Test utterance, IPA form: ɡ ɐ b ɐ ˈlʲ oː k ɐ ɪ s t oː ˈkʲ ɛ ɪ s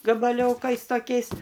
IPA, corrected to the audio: ɡ ɐ b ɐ ˈlʲ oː k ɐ ɪ s t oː ˈkʲ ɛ ɪ s